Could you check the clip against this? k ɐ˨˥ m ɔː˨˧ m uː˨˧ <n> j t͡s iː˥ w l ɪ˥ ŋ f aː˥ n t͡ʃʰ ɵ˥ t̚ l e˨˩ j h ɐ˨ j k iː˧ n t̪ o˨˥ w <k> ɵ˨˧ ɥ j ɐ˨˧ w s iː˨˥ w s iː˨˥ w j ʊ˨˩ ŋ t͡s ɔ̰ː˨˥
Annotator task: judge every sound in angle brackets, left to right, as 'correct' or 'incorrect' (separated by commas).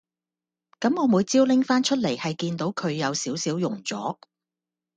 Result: incorrect, incorrect